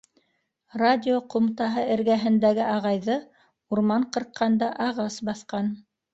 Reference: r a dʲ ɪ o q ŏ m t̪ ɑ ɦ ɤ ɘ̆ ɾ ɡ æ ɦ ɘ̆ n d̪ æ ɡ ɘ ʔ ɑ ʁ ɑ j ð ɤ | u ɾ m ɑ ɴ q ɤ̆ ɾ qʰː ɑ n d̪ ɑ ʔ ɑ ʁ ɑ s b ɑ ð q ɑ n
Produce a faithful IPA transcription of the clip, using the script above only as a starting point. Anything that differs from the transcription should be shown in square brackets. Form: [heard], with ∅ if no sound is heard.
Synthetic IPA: r a dʲ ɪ o q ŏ m t̪ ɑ ɦ ɤ ɘ̆ ɾ ɡ æ ɦ ɘ̆ n d̪ æ ɡ ɘ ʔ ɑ ʁ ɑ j ð ɤ | u ɾ m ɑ ɴ q ɤ̆ ɾ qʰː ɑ n d̪ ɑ ʔ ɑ ʁ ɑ s b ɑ [θ] q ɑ n